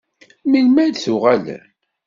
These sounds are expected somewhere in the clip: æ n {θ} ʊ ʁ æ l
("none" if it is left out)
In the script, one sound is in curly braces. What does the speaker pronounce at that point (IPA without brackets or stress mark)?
θ